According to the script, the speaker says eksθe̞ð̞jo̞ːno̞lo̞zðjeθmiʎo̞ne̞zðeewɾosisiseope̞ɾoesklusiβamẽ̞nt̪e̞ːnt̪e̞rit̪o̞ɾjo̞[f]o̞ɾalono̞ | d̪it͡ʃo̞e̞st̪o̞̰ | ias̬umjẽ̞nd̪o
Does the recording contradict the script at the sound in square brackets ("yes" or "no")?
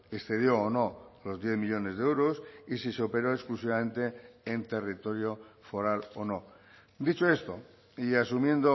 no